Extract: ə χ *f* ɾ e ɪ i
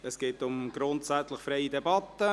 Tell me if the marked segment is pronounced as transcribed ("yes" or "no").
yes